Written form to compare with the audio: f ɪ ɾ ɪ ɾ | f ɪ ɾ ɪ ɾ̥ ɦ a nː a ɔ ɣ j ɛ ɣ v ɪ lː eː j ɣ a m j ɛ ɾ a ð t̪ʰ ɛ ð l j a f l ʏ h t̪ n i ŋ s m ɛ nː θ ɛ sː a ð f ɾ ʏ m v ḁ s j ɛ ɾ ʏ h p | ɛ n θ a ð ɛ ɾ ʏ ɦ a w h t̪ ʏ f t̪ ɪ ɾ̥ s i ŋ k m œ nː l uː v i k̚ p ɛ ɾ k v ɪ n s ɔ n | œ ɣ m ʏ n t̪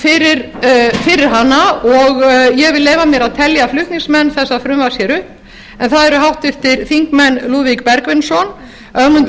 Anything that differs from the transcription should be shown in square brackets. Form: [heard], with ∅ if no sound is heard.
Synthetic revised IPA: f ɪ ɾ ɪ ɾ | f ɪ ɾ ɪ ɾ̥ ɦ a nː a ɔ ɣ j ɛ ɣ v ɪ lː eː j [v] a m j ɛ ɾ a ð t̪ʰ ɛ [∅] l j a f l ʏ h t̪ n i ŋ s m ɛ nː θ ɛ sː a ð f ɾ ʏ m v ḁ s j ɛ ɾ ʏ h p | ɛ n θ a ð ɛ ɾ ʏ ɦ a w h t̪ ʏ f t̪ ɪ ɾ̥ [θ] i ŋ k m [ɛ] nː l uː v i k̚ p ɛ ɾ k v ɪ n s ɔ n | œ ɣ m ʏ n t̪